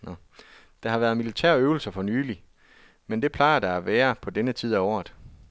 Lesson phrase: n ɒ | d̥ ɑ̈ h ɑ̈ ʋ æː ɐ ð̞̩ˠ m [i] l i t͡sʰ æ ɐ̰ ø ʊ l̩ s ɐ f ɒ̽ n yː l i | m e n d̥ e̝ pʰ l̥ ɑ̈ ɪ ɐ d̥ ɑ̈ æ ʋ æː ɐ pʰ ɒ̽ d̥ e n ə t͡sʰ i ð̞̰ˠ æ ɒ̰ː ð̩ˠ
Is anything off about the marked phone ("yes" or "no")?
no